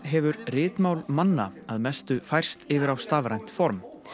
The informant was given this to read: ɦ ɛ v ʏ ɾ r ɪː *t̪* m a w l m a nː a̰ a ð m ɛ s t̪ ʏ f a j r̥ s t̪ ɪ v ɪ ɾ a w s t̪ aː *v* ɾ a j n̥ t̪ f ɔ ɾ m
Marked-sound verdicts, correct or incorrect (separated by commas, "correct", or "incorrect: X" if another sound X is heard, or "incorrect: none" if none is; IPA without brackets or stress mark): correct, correct